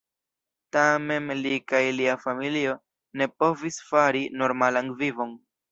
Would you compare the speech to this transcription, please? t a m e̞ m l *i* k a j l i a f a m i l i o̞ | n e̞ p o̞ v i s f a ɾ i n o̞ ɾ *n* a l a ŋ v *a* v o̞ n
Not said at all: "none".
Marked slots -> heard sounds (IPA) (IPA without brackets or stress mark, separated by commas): i, m, i